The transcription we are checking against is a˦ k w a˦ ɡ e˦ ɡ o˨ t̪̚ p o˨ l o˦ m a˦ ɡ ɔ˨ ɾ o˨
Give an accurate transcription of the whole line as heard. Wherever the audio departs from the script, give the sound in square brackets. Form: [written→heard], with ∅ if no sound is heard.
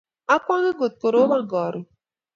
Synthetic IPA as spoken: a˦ k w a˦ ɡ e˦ ɡ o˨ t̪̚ [p→k] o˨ [l→ɾ] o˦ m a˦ ɡ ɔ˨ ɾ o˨